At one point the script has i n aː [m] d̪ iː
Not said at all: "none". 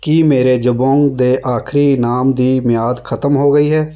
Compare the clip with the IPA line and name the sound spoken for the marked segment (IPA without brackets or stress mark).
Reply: m